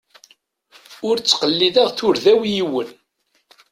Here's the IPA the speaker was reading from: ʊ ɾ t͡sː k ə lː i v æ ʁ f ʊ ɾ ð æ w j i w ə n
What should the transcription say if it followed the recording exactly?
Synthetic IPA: ʊ ɾ t͡sː q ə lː i ð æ ʁ θ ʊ ɾ ð æ w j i w ə n

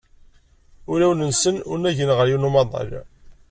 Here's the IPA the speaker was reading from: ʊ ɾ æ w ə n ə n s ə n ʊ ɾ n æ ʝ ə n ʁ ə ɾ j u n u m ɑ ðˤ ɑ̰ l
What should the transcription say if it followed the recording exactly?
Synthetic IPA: ʊ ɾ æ w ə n ə n s ə n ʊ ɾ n æ ʝ ə n ʁ ə ɾ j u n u m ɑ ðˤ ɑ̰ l

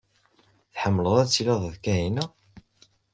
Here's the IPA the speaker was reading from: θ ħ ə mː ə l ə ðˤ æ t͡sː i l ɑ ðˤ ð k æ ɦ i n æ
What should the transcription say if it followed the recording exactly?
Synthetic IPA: θ ħ ə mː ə l ə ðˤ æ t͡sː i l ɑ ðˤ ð k æ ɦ i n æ

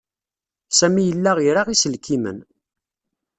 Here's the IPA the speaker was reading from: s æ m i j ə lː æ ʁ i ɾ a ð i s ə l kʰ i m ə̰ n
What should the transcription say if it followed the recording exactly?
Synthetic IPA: s æ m i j ə lː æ ʁ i ɾ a ʁ i s ə l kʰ i m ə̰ n

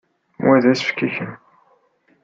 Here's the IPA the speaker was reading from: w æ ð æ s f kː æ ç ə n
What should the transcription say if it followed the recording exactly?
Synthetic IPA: w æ ð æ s f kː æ ç ə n

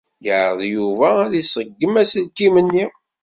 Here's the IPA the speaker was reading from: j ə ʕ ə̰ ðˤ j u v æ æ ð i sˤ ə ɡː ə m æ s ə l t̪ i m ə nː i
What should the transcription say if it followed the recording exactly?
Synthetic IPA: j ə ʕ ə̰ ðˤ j u v æ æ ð i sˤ ə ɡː ə m æ s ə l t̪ i m ə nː i

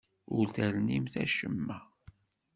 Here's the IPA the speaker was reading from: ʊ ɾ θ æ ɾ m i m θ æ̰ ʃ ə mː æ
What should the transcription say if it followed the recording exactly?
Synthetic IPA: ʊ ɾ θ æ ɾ n i m θ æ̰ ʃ ə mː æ

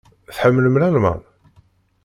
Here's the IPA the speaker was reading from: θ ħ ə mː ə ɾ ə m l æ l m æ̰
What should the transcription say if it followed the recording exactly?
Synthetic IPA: θ ħ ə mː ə l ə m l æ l m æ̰

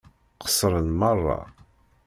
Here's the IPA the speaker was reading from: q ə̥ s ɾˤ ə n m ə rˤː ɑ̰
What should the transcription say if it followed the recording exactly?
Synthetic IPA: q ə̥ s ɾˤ ə n m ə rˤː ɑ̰

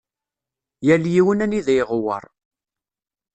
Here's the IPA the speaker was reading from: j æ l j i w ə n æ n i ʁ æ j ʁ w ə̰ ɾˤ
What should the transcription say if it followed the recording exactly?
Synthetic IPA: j æ l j i w ə n æ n i ð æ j ʁ w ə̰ ɾˤ

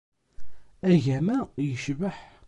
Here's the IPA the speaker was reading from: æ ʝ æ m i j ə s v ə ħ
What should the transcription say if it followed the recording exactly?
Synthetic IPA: æ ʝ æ m æ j ə ʃ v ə ħ

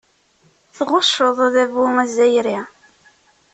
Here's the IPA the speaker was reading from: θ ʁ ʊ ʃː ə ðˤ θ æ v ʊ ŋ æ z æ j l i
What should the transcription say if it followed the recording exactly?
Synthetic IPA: θ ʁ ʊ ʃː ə ðˤ ð æ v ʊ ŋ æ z æ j ɾ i

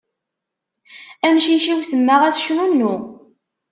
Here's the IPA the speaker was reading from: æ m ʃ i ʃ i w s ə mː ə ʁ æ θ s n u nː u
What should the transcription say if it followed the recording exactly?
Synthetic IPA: æ m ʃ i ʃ i w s ə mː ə ʁ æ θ ʃ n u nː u

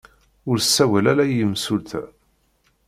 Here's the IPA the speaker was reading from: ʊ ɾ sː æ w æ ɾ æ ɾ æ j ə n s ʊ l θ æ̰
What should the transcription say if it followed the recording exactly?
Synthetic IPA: ʊ ɾ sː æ w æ l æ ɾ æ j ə m s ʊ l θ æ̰

